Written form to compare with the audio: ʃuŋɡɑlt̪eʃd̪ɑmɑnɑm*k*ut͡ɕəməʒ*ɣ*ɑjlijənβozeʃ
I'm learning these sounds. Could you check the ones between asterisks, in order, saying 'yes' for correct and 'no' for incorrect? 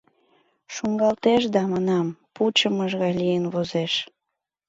no, yes

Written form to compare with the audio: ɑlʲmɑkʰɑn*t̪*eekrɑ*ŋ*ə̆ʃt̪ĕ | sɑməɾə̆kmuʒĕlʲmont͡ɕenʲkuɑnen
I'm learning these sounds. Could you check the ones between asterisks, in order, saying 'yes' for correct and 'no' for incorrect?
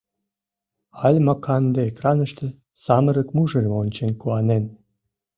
no, no

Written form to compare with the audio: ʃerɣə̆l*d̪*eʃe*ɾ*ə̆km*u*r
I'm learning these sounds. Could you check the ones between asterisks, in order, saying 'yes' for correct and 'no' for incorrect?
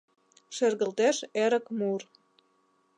no, yes, yes

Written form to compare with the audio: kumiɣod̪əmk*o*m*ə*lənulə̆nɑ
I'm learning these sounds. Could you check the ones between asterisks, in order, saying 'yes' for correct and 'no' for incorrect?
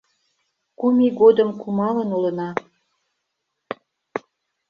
no, no

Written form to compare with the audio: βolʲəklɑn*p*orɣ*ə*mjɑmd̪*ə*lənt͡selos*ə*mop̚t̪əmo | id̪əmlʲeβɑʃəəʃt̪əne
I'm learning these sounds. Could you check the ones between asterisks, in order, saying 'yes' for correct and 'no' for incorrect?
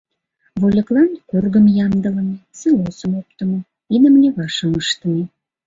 no, yes, yes, yes

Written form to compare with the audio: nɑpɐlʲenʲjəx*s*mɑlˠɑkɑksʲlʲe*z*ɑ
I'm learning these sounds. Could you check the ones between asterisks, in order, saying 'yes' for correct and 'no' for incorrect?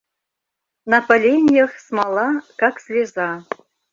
yes, yes

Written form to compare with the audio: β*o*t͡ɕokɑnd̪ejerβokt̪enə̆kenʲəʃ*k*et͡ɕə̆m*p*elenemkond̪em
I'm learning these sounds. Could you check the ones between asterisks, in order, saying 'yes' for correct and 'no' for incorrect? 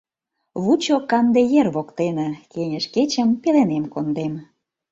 no, yes, yes

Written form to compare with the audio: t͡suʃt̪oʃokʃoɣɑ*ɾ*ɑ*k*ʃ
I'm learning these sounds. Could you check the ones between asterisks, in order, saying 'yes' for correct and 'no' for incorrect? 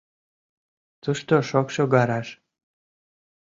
yes, no

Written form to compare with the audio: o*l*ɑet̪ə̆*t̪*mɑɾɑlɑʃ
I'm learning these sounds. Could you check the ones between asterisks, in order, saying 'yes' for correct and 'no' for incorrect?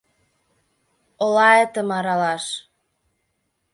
yes, no

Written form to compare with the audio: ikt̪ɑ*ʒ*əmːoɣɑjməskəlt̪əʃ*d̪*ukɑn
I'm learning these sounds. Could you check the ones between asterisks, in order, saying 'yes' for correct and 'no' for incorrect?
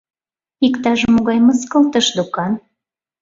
yes, yes

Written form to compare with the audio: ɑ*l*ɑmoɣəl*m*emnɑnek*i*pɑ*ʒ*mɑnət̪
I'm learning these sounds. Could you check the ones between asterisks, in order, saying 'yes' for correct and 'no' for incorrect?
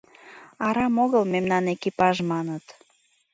no, yes, yes, yes

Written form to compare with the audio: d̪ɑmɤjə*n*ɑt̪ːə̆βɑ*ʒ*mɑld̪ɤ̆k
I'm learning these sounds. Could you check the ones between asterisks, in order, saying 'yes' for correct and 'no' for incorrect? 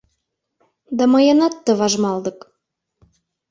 yes, yes

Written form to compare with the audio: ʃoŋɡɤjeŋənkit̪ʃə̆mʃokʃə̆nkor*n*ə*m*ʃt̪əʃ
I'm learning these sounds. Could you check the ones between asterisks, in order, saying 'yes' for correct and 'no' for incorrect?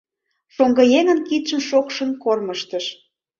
no, no

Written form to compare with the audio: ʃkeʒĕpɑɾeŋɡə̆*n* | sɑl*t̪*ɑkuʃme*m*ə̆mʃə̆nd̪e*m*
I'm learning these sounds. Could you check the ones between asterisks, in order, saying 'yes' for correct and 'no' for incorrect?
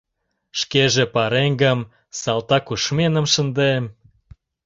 no, yes, no, yes

